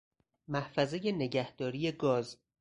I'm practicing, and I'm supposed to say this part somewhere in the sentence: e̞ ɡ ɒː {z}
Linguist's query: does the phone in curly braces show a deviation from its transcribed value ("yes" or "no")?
no